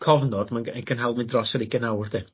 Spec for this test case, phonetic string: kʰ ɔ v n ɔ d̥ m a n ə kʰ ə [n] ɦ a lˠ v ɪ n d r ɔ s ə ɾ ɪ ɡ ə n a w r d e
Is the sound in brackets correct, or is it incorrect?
correct